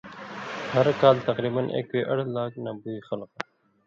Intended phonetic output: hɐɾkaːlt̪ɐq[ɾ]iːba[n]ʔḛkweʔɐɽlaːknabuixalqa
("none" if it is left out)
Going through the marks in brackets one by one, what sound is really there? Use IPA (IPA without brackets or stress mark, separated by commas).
ɾ, n